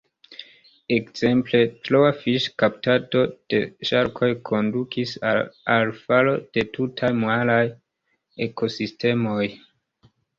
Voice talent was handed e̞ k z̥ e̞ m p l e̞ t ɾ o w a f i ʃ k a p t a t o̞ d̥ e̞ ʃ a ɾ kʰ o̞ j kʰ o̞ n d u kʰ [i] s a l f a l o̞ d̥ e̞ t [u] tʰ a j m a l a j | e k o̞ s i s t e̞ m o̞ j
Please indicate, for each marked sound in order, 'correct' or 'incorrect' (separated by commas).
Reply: correct, correct